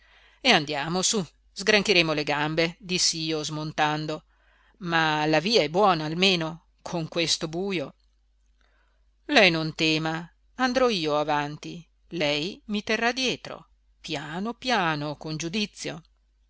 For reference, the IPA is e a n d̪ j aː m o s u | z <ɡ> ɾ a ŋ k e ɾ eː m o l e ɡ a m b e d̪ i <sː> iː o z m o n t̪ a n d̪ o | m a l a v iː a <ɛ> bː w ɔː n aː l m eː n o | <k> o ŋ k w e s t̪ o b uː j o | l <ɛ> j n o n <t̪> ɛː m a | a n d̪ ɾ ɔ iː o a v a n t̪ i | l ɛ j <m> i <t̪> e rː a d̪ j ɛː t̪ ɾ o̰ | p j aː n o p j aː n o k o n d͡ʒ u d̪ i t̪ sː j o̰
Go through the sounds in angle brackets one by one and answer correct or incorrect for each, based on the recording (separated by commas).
correct, correct, correct, incorrect, correct, correct, correct, correct